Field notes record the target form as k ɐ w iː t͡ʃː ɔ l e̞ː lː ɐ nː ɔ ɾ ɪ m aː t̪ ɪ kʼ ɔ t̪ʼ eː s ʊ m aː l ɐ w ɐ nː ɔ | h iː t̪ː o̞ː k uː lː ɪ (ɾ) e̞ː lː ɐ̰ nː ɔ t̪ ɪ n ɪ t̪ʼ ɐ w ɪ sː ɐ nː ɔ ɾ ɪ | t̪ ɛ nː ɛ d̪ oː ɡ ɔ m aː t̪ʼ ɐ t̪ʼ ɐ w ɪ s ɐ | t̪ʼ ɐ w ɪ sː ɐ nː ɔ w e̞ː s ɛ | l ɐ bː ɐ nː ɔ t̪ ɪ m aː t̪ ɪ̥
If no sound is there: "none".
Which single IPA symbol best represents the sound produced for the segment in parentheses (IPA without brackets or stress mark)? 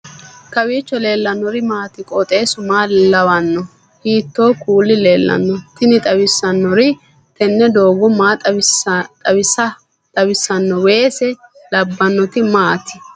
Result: l